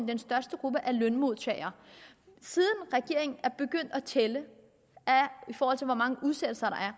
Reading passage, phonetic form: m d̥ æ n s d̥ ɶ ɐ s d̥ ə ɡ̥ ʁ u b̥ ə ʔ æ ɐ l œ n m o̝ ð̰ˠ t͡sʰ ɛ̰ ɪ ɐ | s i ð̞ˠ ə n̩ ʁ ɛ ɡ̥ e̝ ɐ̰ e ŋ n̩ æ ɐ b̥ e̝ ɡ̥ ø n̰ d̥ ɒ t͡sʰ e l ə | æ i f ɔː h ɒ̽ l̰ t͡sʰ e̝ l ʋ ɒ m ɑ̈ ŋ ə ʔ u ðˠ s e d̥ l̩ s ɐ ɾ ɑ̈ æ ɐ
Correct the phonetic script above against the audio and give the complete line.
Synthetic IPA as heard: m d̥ e n s d̥ ɶ ɐ s d̥ ə ɡ̥ ʁ u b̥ ə ʔ æ ɐ l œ n m o̝ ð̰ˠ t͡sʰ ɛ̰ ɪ ɐ | s i ð̞ˠ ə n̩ ʁ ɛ ɡ̥ e̝ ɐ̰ e ŋ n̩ æ ɐ b̥ e̝ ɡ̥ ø n̰ d̥ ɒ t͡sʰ e l ə | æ i f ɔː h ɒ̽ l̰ t͡sʰ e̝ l ʋ ɒ m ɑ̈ ŋ ə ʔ u ðˠ s e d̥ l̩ s ɐ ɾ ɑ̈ æ ɐ